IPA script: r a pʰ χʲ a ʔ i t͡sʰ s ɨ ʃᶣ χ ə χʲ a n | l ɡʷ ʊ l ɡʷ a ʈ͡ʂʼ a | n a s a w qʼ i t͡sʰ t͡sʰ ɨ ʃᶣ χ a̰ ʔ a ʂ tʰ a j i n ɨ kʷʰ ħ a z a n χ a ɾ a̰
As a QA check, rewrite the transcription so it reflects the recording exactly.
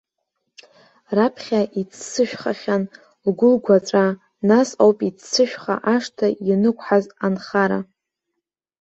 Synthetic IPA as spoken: r a pʰ χʲ a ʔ i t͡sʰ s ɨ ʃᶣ χ a χʲ a n | l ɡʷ ʊ l ɡʷ a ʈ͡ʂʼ a | n a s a w pʼ i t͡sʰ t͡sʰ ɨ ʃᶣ χ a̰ ʔ a ʂ tʰ a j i n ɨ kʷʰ ħ a z a n χ a ɾ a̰